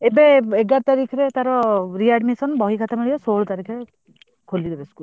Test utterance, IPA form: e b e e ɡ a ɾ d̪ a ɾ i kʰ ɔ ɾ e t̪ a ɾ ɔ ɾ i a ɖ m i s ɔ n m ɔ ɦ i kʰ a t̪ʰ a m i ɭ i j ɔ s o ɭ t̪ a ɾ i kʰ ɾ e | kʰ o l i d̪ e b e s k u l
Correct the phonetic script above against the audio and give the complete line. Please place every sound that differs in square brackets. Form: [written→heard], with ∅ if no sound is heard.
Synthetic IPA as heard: e b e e ɡ a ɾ [d̪→t̪] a ɾ i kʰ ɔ ɾ e t̪ a ɾ ɔ ɾ i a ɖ m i s ɔ n [m→b] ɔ ɦ i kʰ a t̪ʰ a m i ɭ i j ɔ s o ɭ t̪ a ɾ i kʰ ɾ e | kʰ o l i d̪ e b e s k u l